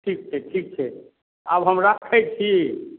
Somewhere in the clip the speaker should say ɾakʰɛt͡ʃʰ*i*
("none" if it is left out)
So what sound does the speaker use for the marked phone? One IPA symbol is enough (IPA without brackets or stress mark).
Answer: i